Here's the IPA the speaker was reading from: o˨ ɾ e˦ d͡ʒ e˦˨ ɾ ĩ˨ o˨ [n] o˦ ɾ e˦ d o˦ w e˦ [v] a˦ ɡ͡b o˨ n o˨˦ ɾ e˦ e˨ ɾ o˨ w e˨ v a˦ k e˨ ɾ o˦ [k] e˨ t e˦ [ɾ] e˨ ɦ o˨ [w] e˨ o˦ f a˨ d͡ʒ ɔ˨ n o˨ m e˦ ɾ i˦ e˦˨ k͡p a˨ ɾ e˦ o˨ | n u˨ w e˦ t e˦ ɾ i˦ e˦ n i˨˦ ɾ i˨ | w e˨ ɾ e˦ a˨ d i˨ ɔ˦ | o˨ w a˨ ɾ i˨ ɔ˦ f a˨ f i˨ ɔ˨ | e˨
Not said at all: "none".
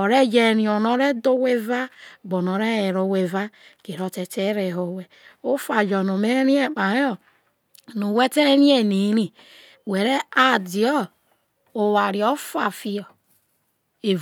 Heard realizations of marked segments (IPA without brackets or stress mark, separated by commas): n, v, t, ɾ, w